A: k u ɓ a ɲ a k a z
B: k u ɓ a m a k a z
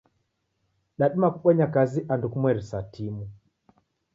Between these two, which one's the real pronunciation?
A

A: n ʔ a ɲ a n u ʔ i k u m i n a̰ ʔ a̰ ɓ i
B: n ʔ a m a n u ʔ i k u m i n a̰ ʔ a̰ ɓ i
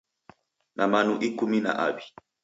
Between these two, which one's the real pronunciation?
B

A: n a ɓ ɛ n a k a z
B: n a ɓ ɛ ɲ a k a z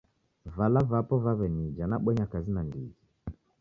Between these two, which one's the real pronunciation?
B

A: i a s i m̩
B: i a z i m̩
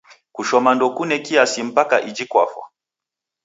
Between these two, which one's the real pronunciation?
A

